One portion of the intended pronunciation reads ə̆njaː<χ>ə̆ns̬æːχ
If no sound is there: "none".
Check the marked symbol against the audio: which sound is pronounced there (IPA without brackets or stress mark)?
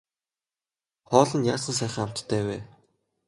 s